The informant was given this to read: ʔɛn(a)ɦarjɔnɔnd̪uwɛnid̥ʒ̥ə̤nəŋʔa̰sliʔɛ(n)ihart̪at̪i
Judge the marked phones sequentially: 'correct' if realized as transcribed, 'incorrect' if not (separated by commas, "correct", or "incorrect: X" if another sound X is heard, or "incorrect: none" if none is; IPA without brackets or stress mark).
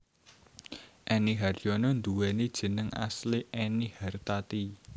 incorrect: i, correct